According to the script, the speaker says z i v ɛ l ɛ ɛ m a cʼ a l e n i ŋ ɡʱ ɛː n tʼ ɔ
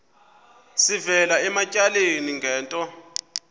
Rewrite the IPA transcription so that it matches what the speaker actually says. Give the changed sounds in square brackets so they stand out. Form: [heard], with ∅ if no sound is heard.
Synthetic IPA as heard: [s] i v ɛ l [a] ɛ m a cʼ a l e n i ŋ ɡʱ ɛː n tʼ ɔ